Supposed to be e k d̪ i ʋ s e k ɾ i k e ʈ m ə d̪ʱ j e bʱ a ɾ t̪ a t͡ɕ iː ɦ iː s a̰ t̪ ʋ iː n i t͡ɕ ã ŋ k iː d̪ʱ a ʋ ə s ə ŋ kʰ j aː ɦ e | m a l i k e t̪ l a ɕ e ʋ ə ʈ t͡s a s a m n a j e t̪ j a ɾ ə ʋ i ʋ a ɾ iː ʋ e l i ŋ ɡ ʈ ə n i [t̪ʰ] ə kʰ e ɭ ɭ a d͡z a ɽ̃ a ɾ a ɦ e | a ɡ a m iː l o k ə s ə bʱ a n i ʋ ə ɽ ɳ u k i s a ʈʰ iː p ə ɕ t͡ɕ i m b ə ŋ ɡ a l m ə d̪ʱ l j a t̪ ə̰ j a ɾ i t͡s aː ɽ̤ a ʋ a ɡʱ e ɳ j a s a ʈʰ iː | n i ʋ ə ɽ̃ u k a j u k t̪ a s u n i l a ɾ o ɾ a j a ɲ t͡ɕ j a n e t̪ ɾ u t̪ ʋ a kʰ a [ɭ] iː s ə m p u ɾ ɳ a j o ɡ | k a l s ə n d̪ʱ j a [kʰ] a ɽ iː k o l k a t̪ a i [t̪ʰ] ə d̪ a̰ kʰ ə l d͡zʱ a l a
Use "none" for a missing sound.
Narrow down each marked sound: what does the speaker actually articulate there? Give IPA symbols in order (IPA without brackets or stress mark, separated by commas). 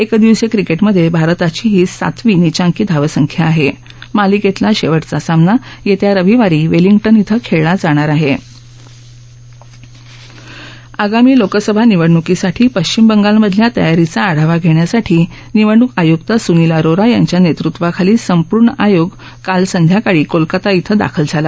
t̪ʰ, l, k, t̪ʰ